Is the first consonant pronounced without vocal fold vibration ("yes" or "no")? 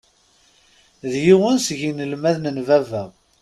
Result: no